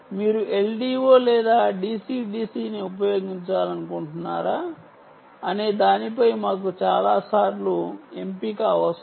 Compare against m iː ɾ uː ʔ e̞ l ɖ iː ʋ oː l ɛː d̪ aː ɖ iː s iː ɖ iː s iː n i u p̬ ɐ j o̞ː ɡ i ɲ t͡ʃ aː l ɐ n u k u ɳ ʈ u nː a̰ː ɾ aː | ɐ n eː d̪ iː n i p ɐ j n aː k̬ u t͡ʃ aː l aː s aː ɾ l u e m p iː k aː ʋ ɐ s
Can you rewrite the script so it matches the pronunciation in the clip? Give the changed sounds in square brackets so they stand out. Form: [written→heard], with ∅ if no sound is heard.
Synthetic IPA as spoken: m iː ɾ [uː→u] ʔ e̞ l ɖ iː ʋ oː l ɛː d̪ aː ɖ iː s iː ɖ iː s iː n i u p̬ ɐ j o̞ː ɡ i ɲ t͡ʃ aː l ɐ n u k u ɳ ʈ u nː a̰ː ɾ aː | ɐ n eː d̪ [iː→aː] n i p ɐ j [n→m] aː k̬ u t͡ʃ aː l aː s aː ɾ l u e m p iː k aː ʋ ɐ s